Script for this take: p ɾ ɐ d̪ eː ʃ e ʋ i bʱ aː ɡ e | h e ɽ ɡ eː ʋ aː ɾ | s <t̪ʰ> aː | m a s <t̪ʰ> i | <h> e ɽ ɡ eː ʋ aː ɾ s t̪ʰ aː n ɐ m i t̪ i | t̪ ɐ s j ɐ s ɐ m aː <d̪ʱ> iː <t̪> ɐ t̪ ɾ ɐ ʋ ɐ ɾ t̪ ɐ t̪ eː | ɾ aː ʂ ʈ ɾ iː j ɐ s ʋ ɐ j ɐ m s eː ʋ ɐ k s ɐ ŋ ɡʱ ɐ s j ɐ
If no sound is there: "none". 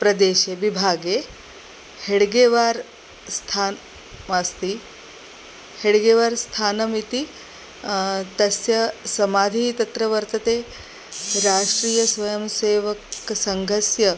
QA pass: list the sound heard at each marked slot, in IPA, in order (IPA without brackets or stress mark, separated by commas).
t̪ʰ, t̪, h, d̪ʱ, t̪